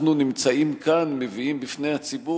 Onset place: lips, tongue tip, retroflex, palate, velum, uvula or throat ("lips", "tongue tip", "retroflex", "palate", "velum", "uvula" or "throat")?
tongue tip